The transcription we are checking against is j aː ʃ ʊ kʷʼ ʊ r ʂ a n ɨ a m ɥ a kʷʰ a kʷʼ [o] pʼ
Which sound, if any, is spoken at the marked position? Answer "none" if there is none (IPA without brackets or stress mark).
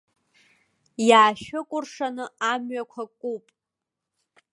u